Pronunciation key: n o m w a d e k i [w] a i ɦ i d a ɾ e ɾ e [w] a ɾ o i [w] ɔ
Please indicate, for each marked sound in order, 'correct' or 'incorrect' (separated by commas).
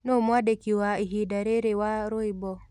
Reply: correct, correct, incorrect